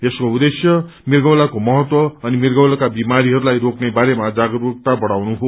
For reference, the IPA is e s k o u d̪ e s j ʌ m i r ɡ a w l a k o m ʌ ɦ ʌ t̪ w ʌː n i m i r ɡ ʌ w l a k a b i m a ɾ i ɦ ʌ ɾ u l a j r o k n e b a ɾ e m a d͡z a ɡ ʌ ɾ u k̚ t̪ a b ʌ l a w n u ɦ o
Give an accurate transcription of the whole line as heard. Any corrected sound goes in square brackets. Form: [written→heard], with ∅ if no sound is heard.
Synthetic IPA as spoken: e s k o u d̪ e s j ʌ m i r ɡ [a→ʌ] w l a k o m ʌ ɦ ʌ t̪ w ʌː n i m i r ɡ ʌ w l a k a b i m a ɾ i ɦ ʌ ɾ u l a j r o k n e b a ɾ e m a d͡z a ɡ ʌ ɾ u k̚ t̪ a b ʌ [l→ɽ] a w n u ɦ o